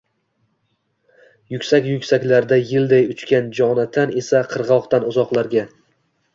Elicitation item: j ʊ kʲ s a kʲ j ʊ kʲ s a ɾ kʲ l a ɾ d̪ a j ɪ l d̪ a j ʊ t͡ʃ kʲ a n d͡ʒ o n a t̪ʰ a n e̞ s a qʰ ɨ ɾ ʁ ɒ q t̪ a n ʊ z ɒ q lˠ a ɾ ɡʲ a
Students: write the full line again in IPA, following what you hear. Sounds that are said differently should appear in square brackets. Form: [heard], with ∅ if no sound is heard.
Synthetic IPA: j ʊ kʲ s a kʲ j ʊ kʲ s a [∅] kʲ l a ɾ d̪ a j ɪ l d̪ a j ʊ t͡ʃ kʲ a n d͡ʒ [ɒ] n a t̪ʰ a n e̞ s a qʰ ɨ ɾ ʁ ɒ q t̪ a n ʊ z ɒ q lˠ a ɾ ɡʲ a